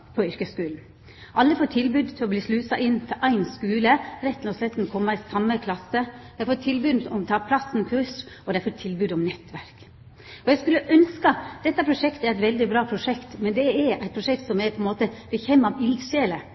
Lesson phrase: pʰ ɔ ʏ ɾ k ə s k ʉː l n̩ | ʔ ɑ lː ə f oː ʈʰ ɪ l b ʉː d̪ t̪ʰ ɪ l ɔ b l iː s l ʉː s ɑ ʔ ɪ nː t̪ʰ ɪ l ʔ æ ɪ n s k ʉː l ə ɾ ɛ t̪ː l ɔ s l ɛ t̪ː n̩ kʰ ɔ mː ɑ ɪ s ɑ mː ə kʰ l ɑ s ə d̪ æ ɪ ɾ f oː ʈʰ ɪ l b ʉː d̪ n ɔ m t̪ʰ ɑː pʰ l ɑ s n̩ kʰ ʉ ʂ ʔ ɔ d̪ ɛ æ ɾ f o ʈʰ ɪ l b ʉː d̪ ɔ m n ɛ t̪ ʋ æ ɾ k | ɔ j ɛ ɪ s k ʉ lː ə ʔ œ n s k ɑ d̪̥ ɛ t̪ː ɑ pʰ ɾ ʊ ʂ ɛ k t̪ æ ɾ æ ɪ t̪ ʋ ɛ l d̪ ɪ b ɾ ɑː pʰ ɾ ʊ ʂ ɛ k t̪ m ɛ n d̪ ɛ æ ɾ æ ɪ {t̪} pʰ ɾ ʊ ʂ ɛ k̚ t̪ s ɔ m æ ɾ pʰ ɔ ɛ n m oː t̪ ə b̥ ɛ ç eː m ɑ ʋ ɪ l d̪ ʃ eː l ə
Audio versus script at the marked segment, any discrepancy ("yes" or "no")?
no